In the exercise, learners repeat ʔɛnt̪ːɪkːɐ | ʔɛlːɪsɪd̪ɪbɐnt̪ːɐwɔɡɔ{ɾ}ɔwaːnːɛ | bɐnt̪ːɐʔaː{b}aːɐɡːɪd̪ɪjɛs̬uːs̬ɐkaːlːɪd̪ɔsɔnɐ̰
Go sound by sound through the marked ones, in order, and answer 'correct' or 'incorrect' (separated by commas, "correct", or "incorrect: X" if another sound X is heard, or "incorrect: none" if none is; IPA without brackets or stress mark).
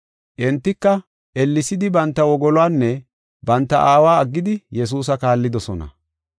incorrect: l, incorrect: w